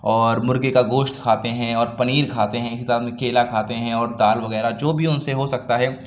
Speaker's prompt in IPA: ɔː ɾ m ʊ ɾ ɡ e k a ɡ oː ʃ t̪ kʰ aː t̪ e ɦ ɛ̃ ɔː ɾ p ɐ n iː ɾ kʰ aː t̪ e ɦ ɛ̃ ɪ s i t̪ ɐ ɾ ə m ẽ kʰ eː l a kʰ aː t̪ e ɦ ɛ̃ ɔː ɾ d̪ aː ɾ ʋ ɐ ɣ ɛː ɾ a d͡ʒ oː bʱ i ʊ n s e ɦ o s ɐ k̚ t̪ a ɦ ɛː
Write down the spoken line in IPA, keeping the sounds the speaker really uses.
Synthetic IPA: ɔː ɾ m ʊ ɾ ɡ e k a ɡ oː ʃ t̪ kʰ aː t̪ e ɦ ɛ̃ ɔː ɾ p ɐ n iː ɾ kʰ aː t̪ e ɦ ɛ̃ ɪ s i t̪ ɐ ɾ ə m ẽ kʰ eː l a kʰ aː t̪ e ɦ ɛ̃ ɔː ɾ d̪ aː l ʋ ɐ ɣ ɛː ɾ a d͡ʒ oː bʱ i ʊ n s e ɦ o s ɐ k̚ t̪ a ɦ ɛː